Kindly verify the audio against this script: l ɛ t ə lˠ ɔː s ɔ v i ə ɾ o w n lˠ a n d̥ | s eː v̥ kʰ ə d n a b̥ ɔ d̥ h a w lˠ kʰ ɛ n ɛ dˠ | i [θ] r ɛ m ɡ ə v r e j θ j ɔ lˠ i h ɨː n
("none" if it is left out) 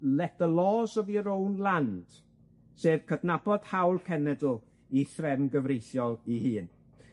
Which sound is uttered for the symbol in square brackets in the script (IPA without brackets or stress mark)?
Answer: θ